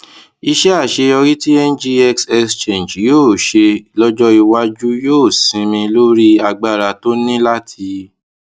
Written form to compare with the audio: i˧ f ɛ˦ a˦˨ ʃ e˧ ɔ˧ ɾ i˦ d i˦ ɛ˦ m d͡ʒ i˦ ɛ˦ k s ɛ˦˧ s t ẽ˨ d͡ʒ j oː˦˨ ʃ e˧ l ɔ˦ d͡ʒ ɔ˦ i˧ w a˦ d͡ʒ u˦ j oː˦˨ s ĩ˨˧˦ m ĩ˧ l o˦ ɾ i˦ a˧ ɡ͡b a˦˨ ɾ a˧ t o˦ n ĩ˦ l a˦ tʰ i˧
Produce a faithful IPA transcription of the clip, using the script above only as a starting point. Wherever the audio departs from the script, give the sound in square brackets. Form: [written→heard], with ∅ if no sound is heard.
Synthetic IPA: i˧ [f→ʃ] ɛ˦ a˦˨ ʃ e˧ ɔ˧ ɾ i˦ [d→t] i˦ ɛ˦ [m→n] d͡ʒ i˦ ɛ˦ k s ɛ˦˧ s [t→t͡ʃ] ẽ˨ d͡ʒ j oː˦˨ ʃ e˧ l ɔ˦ d͡ʒ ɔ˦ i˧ w a˦ d͡ʒ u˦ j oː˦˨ s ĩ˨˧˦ m ĩ˧ l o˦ ɾ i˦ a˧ ɡ͡b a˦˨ ɾ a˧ t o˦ n ĩ˦ l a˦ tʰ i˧